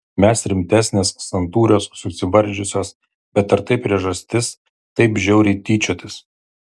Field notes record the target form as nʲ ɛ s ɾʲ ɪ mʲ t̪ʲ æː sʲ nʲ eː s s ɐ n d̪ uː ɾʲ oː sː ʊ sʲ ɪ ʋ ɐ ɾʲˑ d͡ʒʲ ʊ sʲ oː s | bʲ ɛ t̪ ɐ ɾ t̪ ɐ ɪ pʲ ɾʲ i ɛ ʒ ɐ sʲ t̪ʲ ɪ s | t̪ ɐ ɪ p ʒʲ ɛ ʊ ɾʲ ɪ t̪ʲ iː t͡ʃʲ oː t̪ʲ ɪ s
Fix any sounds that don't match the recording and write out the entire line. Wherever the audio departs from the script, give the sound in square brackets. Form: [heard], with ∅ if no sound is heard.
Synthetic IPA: [mʲ] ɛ s ɾʲ ɪ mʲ t̪ʲ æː sʲ nʲ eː s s ɐ n [t̪] uː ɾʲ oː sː ʊ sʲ ɪ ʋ ɐ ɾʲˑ d͡ʒʲ ʊ sʲ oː s | bʲ ɛ t̪ ɐ ɾ t̪ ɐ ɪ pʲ ɾʲ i ɛ ʒ ɐ sʲ t̪ʲ ɪ s | t̪ ɐ ɪ p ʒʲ ɛ ʊ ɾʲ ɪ t̪ʲ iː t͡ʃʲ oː t̪ʲ ɪ s